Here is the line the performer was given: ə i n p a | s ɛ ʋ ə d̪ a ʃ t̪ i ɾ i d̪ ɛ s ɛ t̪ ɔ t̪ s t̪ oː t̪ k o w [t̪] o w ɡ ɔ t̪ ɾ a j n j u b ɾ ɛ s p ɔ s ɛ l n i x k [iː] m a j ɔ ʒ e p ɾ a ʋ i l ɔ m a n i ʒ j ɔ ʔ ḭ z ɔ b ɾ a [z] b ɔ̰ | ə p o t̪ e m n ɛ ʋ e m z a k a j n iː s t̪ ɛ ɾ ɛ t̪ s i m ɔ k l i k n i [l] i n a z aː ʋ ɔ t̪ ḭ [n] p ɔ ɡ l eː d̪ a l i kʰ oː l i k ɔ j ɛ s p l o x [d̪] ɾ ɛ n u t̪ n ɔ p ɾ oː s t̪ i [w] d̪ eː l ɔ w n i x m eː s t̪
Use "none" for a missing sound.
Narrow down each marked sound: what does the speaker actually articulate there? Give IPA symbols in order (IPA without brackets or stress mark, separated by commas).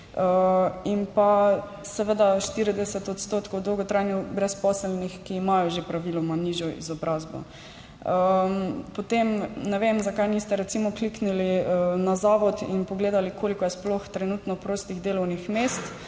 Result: d̪, iː, z, l, n, t̪, ɣ